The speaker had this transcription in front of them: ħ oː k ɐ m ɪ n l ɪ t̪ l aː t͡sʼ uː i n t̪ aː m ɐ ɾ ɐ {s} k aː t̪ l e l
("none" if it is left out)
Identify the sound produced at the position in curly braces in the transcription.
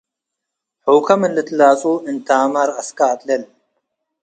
s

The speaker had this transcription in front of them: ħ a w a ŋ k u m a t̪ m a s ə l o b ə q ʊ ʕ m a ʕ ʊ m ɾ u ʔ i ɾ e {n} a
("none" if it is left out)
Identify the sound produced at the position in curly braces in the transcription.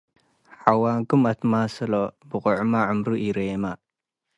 m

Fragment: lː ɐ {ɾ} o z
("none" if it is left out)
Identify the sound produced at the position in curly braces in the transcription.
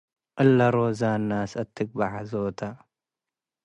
ɾ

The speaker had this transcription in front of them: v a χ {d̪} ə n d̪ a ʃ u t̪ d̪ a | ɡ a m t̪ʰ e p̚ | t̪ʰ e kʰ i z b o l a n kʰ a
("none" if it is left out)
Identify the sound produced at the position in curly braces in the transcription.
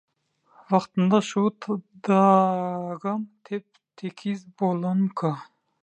t̪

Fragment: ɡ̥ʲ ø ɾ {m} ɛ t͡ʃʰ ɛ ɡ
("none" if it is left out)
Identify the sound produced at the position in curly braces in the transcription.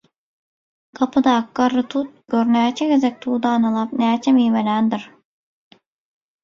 n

